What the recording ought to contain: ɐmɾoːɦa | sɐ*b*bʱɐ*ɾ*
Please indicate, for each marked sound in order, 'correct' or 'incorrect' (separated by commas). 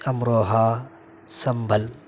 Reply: incorrect, incorrect